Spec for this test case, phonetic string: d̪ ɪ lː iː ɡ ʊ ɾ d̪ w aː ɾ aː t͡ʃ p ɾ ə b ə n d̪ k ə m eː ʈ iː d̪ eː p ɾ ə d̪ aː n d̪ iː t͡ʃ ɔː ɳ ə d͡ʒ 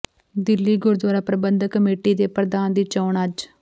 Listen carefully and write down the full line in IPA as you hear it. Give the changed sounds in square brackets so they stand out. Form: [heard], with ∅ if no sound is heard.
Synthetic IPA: d̪ ɪ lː iː ɡ ʊ ɾ d̪ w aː ɾ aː [∅] p ɾ ə b ə n d̪ k ə m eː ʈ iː d̪ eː p ɾ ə d̪ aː n d̪ iː t͡ʃ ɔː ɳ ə d͡ʒ